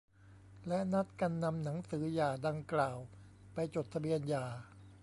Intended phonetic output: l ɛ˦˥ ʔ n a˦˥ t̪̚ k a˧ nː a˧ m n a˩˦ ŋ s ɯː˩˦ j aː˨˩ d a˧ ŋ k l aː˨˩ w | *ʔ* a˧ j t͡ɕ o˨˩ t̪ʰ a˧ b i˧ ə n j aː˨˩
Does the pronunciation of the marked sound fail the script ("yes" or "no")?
yes